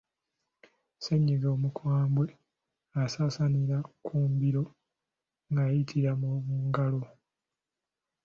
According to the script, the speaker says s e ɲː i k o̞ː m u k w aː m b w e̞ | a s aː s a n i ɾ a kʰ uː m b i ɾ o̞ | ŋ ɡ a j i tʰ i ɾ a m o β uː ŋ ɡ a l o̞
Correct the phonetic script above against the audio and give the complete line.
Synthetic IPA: s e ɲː i ɡ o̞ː m u k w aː m b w e̞ | a s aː s a n i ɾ a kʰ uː m b i ɾ o̞ | ŋ ɡ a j i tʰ i ɾ a m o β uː ŋ ɡ a l o̞